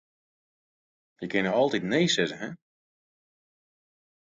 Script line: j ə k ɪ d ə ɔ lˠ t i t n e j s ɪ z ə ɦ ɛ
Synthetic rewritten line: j ə k ɪ n ə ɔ lˠ t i t n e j s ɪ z ə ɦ ɛ